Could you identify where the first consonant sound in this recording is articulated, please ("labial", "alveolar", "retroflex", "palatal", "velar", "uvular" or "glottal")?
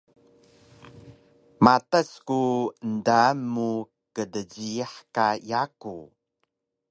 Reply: labial